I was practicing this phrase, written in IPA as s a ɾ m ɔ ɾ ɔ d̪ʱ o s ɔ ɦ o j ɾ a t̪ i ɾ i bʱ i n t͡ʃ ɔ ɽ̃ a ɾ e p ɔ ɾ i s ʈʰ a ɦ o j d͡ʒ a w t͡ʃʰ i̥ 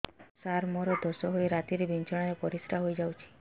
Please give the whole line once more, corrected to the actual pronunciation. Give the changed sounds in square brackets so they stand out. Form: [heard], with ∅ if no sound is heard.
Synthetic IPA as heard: s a ɾ m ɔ ɾ ɔ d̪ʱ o s ɔ ɦ o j ɾ a t̪ i ɾ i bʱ i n t͡ʃ ɔ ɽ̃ a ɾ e p ɔ ɾ i s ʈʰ a ɦ o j d͡ʒ a w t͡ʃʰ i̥